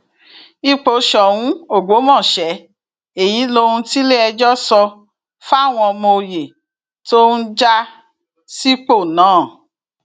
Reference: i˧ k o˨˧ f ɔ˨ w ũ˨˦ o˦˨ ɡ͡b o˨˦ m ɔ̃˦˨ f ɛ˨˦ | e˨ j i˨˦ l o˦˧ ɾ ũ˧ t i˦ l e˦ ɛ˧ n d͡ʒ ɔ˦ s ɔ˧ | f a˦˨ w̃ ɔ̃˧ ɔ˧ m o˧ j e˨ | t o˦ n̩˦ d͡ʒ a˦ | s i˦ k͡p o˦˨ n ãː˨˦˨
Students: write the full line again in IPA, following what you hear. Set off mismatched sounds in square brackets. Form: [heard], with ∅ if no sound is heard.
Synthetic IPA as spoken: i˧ [k͡p] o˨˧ [ʃ] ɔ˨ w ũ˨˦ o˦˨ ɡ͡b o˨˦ m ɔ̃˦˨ [ʃ] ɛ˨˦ | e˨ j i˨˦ l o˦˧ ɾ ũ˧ t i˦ l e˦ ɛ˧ [∅] d͡ʒ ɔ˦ s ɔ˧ | f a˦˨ w̃ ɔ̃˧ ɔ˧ m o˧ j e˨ | t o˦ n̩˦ d͡ʒ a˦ | s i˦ k͡p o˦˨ n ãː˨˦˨